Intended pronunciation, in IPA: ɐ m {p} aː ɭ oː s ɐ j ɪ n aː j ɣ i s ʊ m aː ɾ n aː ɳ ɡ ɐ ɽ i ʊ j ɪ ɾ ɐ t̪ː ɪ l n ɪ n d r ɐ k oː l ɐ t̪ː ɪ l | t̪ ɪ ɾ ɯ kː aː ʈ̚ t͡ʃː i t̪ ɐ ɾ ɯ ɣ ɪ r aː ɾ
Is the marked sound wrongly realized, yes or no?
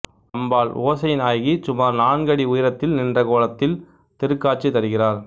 yes